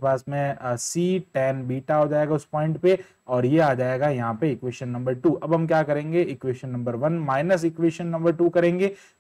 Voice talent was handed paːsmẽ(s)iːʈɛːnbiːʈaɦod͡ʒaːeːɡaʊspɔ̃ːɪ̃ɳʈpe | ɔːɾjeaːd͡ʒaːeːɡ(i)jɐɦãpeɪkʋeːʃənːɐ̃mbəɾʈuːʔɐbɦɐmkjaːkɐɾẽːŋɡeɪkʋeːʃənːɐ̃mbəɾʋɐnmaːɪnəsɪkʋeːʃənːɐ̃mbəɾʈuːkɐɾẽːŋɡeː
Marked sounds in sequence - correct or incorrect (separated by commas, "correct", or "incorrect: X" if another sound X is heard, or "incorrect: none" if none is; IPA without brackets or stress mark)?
correct, incorrect: a